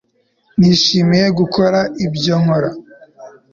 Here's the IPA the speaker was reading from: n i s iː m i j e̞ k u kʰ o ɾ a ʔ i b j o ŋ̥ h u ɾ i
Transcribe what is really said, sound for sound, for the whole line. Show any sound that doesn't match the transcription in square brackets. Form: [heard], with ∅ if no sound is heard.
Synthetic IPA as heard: n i [ʃ] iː m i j e̞ [ɡ] u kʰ o ɾ a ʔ i b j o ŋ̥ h [o] ɾ [a]